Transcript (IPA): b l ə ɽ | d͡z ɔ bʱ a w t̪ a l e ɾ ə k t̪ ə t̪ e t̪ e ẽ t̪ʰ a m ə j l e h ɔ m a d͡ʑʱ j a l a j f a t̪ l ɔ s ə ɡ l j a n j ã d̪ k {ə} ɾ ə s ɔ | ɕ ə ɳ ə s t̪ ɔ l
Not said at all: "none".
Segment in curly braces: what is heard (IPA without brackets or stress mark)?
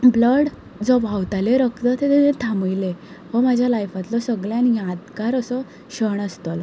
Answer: a